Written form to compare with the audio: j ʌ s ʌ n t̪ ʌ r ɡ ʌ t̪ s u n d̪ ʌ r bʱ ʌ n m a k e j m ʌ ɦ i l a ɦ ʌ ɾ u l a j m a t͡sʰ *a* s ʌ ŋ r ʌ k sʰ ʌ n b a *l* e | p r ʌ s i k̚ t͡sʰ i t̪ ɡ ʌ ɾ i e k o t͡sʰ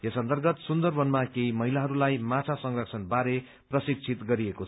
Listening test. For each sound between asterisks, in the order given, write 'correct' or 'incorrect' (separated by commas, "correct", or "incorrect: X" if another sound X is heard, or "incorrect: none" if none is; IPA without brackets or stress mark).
correct, incorrect: ɾ